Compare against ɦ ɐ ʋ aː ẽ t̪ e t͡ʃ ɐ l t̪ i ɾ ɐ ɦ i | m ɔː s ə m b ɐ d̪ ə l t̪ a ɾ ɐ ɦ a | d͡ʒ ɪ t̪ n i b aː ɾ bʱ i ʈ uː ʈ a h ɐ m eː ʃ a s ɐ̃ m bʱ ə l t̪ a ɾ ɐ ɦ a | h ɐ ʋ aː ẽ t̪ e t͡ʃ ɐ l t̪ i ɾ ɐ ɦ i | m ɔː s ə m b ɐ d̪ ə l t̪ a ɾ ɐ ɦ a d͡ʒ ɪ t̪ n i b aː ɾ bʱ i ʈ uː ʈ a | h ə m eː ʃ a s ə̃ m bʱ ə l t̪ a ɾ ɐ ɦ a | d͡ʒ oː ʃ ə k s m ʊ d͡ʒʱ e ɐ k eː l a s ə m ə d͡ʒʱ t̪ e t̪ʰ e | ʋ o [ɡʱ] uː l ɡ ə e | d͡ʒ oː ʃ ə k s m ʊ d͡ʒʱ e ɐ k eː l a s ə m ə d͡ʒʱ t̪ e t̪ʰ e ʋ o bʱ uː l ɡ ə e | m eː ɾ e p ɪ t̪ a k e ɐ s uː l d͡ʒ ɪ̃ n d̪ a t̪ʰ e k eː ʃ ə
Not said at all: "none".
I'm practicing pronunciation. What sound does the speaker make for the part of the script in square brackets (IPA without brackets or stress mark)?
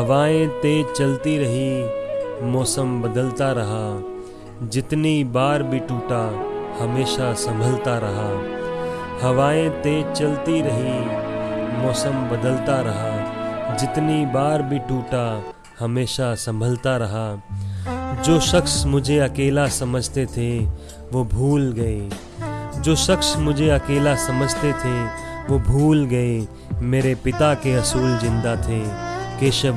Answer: bʱ